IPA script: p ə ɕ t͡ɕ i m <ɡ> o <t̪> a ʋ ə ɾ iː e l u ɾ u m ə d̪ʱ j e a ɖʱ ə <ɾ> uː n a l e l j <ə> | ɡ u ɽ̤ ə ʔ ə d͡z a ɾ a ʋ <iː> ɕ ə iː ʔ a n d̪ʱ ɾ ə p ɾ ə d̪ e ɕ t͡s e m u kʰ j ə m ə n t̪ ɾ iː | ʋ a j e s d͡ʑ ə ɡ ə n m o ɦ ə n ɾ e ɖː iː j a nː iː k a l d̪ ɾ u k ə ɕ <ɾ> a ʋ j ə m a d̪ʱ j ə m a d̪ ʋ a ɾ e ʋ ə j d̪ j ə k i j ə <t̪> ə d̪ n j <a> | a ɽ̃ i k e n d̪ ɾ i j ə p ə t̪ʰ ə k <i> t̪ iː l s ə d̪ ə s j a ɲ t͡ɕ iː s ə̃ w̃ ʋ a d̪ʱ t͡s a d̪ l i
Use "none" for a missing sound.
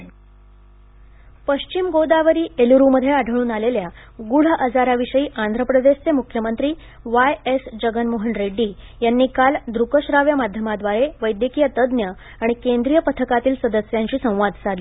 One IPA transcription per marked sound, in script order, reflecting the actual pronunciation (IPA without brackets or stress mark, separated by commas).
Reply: ɡ, d̪, ɭ, a, i, ɾ, t̪, ə, a